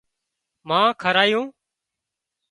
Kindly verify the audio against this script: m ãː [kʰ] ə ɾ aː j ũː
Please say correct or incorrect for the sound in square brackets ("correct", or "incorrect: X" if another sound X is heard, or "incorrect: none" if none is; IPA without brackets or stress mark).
correct